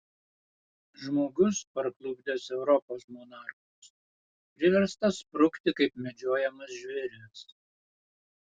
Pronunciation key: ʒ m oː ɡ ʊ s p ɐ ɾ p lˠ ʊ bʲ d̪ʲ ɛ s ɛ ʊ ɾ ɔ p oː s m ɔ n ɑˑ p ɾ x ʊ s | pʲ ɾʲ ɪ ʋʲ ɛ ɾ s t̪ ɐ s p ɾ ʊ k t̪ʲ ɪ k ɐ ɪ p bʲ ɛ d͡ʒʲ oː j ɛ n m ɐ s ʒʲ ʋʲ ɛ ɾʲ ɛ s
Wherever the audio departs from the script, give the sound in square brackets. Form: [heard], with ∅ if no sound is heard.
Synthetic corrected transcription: ʒ m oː ɡ ʊ s p ɐ ɾ [k] lˠ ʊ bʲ d̪ʲ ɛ s ɛ ʊ ɾ ɔ p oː s m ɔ n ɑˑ [∅] ɾ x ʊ s | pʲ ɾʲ ɪ ʋʲ ɛ ɾ s t̪ ɐ s p ɾ ʊ k t̪ʲ ɪ k ɐ ɪ p [mʲ] ɛ d͡ʒʲ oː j ɛ [∅] m ɐ s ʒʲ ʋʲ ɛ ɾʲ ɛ s